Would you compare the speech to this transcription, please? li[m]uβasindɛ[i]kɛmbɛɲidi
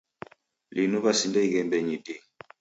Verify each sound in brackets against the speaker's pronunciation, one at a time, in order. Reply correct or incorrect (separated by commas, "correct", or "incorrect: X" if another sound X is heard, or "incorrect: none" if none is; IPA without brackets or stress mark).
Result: incorrect: n, correct